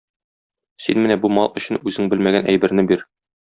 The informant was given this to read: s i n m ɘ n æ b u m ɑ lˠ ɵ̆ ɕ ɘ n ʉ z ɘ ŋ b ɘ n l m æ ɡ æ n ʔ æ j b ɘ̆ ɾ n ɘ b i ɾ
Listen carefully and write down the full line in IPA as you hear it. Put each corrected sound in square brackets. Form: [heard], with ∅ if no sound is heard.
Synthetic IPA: s i n m ɘ n æ b u m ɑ lˠ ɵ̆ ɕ ɘ n ʉ z ɘ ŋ b ɘ [∅] l m æ ɡ æ n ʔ æ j b ɘ̆ ɾ n ɘ b i ɾ